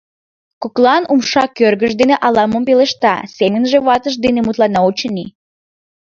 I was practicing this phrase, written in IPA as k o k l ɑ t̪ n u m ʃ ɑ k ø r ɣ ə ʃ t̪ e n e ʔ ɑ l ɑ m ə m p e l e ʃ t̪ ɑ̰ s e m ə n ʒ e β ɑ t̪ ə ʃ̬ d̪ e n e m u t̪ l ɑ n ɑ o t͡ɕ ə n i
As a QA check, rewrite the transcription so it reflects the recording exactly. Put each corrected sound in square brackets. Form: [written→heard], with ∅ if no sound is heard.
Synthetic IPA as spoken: k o k l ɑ [t̪→∅] n u m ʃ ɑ k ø r ɣ ə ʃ [t̪→d̪] e n e ʔ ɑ l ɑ m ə m p e l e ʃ t̪ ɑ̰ s e m ə n ʒ e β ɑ t̪ ə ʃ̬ d̪ e n e m u t̪ l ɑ n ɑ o t͡ɕ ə n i